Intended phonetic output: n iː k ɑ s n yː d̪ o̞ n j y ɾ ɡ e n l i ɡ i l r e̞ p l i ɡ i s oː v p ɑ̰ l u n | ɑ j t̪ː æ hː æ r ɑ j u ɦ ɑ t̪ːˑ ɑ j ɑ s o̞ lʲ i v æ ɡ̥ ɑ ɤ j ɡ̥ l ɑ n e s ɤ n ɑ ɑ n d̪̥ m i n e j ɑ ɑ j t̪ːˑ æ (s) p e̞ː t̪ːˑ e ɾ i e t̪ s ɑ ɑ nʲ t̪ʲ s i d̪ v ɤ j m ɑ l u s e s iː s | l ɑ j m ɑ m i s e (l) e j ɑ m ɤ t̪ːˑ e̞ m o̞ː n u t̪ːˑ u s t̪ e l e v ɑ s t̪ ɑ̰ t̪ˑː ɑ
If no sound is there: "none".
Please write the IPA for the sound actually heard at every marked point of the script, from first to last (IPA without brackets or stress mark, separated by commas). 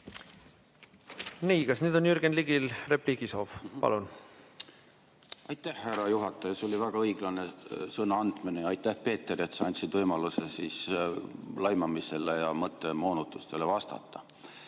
h, l